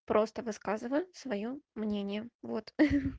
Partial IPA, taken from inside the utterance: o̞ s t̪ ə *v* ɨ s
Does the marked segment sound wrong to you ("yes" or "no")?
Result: no